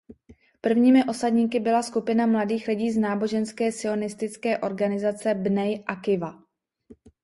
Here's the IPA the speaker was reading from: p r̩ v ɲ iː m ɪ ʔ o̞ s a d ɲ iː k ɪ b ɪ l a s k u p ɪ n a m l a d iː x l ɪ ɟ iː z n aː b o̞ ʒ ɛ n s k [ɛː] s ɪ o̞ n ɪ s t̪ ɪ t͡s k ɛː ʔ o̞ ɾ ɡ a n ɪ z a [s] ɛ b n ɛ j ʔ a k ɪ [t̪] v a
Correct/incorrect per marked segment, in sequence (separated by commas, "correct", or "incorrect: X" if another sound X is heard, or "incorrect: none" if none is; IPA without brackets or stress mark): correct, incorrect: t͡s, incorrect: none